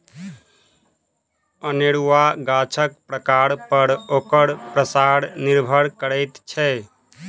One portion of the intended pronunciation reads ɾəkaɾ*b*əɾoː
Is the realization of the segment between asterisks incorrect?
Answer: yes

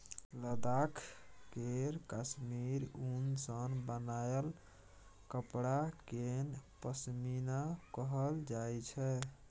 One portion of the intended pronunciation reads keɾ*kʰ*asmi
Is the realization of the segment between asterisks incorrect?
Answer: yes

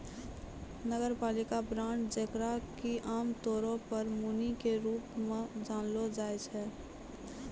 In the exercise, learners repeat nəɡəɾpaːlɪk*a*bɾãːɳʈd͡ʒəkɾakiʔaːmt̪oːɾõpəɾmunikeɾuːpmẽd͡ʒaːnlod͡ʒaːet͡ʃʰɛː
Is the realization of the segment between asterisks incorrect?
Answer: no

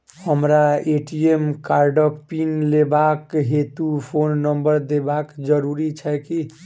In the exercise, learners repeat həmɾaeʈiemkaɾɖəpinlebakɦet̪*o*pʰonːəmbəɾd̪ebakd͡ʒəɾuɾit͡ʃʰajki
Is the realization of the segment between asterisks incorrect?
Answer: yes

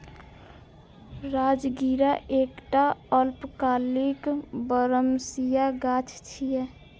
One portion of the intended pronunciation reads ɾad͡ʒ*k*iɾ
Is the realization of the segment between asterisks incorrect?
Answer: yes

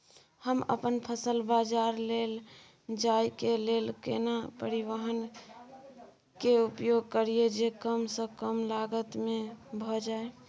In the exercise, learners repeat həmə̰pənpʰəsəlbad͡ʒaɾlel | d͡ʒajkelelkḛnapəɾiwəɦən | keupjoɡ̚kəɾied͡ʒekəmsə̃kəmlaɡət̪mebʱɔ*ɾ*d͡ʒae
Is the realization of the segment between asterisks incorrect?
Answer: yes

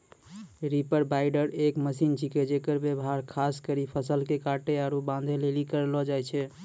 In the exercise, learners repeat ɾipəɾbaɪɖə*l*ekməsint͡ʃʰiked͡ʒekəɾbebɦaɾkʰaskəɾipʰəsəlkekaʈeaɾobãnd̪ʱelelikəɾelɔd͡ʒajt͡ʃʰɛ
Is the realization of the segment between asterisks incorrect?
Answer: yes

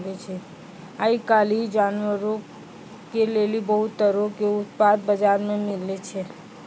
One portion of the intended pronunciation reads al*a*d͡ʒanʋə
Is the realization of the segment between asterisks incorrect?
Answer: yes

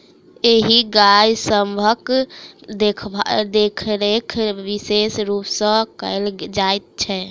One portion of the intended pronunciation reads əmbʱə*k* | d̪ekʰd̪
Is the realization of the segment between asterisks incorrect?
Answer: no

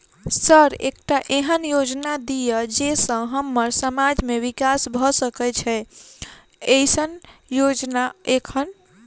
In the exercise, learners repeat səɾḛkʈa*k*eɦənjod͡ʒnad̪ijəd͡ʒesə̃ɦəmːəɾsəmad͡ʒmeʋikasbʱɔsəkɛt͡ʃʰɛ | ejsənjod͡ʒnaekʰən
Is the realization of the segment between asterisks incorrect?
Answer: yes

